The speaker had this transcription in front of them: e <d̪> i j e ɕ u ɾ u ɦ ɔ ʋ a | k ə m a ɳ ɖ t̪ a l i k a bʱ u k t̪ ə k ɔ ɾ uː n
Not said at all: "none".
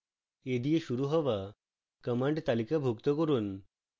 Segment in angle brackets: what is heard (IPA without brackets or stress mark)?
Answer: d̪